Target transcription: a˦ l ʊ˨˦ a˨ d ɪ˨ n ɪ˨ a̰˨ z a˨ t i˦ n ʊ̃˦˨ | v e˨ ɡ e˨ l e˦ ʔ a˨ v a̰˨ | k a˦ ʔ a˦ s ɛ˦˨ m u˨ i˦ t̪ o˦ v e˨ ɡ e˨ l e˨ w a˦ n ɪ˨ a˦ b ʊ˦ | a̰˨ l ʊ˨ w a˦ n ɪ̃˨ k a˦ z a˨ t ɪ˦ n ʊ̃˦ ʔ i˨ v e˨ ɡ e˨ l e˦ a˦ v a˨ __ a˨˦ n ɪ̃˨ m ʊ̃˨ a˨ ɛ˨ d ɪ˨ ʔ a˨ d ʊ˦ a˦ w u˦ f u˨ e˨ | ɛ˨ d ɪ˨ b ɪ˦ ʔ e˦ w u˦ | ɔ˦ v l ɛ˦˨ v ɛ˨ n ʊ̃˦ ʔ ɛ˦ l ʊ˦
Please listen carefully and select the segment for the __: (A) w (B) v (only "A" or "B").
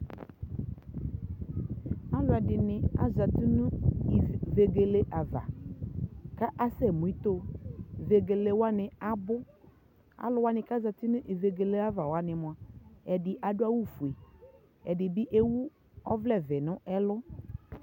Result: A